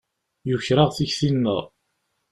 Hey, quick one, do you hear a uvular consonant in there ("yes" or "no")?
yes